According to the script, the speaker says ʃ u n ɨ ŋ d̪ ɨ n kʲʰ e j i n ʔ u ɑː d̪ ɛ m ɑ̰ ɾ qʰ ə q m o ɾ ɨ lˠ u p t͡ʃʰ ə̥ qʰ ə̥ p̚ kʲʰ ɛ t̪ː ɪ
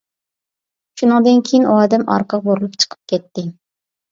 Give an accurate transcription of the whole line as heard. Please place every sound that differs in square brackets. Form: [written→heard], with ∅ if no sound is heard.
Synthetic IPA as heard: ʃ u n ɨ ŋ d̪ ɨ n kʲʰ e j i n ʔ u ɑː d̪ ɛ m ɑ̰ ɾ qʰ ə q [m→b] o ɾ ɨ lˠ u p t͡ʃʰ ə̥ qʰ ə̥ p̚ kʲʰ ɛ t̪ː ɪ

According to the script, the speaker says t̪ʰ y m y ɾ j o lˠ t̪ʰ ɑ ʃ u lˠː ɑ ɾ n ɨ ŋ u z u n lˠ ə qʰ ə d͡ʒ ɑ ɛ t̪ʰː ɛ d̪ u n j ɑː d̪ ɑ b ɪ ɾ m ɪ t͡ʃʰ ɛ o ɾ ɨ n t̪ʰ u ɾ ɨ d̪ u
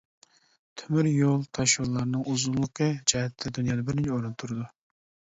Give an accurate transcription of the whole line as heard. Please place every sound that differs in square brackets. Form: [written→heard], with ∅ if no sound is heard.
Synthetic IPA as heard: t̪ʰ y m y ɾ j o lˠ t̪ʰ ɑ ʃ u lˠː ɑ ɾ n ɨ ŋ u z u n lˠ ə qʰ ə d͡ʒ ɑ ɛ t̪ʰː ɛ d̪ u n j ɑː d̪ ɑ b ɪ ɾ [m→n] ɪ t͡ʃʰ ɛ o ɾ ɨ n t̪ʰ u ɾ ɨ d̪ u

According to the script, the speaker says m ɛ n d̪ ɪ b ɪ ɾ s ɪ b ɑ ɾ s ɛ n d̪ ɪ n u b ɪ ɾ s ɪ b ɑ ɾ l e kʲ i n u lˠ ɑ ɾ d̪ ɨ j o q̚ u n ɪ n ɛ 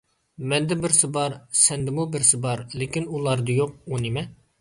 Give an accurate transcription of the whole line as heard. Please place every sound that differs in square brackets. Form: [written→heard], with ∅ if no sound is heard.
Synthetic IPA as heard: m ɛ n d̪ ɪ b ɪ ɾ s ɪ b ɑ ɾ s ɛ n d̪ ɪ [n→m] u b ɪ ɾ s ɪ b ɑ ɾ l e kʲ i n u lˠ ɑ ɾ d̪ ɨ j o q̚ u n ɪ [n→m] ɛ

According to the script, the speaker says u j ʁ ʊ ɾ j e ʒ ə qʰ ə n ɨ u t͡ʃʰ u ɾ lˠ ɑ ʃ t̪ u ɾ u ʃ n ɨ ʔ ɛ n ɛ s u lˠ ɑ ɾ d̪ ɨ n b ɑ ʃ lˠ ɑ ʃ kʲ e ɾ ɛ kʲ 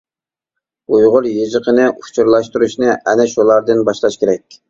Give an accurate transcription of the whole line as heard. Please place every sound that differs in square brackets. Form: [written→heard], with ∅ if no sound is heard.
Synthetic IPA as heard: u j ʁ ʊ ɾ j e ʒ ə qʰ ə n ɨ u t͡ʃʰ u ɾ lˠ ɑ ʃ t̪ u ɾ u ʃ n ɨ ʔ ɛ n ɛ [s→ʃ] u lˠ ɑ ɾ d̪ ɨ n b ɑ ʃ lˠ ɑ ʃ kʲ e ɾ ɛ kʲ

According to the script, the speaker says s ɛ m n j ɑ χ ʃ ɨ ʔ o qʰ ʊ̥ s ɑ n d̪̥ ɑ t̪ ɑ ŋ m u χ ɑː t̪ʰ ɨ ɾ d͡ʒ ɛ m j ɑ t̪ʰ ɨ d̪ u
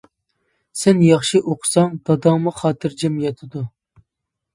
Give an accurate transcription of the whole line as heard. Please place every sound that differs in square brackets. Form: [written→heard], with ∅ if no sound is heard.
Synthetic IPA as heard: s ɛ [m→∅] n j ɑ χ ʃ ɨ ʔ o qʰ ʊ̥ s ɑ [n→ŋ] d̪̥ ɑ [t̪→d̪] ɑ ŋ m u χ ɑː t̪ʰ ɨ ɾ d͡ʒ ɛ m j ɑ t̪ʰ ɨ d̪ u

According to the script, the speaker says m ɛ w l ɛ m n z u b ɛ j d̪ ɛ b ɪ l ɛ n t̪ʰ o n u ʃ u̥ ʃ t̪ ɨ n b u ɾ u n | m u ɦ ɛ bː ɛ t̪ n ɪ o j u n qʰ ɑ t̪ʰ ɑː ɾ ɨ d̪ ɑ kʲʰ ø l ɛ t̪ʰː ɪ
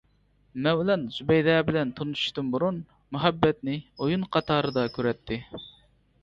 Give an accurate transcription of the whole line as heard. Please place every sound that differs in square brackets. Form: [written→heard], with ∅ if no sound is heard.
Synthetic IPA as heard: m ɛ w l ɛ [m→∅] n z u b ɛ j d̪ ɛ b ɪ l ɛ n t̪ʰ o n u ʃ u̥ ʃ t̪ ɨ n b u ɾ u n | m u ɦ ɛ bː ɛ t̪ n ɪ o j u n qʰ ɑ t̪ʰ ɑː ɾ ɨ d̪ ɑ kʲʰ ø [l→ɾ] ɛ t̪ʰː ɪ

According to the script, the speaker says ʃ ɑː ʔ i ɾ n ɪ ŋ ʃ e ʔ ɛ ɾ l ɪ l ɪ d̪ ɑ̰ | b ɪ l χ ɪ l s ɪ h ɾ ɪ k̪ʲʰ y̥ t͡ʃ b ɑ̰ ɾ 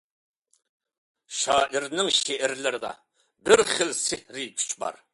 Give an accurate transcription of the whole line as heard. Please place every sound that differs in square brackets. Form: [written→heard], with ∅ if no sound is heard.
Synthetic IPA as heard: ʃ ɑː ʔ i ɾ n ɪ ŋ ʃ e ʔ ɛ ɾ l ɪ [l→ɾ] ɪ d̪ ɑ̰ | b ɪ [l→ɾ] χ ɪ l s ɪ h ɾ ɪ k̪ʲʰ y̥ t͡ʃ b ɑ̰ ɾ

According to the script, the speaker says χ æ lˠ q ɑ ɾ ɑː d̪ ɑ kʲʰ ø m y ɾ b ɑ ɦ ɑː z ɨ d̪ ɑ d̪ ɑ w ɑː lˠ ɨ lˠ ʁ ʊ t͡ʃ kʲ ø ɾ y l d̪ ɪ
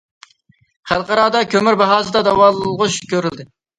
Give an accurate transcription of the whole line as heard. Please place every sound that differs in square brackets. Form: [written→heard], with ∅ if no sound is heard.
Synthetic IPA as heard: χ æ lˠ q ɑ ɾ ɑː d̪ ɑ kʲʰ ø m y ɾ b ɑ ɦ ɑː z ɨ d̪ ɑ d̪ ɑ w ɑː lˠ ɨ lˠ ʁ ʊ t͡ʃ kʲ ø ɾ y l d̪ ɪ

